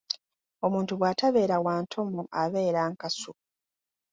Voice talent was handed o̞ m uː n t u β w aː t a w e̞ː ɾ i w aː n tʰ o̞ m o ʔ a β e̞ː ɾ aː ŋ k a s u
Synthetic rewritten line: o̞ m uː n t u β w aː t a β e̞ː ɾ a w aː n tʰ o̞ m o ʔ a β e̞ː ɾ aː ŋ k a s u